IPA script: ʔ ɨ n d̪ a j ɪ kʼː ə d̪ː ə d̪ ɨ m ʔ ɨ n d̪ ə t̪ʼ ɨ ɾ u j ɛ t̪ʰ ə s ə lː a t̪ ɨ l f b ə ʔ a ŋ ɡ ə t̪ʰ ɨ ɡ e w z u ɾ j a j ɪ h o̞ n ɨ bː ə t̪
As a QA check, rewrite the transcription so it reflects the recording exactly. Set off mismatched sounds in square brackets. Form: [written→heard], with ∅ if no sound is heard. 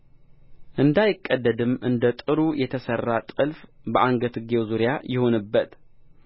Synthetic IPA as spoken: ʔ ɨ n d̪ a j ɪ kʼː ə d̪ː ə d̪ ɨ m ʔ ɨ n d̪ ə t̪ʼ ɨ ɾ u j ɛ t̪ʰ ə s ə [lː→rː] a [t̪→t̪ʼ] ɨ l f b ə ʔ a ŋ ɡ ə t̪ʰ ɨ ɡ e w z u ɾ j a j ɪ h o̞ n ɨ bː ə t̪